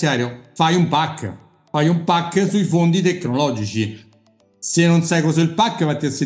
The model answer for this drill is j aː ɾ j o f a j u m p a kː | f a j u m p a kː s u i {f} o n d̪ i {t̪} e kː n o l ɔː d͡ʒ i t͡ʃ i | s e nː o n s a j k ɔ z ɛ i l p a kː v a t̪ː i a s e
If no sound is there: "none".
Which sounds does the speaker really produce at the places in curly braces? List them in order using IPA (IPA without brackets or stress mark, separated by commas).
f, t̪